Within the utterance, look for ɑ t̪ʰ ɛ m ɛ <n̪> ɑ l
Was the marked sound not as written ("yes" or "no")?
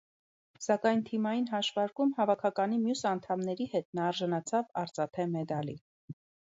yes